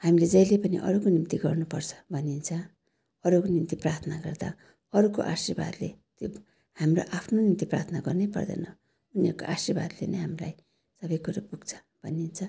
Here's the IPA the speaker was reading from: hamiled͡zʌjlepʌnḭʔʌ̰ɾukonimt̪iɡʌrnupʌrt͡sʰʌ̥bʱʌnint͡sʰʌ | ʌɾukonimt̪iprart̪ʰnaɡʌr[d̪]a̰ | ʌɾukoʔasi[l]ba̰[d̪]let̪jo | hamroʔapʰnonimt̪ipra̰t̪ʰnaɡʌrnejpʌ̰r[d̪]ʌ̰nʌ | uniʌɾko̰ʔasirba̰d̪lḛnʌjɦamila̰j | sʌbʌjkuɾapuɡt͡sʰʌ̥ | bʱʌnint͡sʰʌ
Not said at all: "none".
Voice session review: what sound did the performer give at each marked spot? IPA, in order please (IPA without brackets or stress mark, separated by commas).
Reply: d̪, r, d̪, d̪